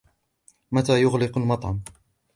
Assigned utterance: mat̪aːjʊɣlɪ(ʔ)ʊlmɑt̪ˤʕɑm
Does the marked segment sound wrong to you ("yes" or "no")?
yes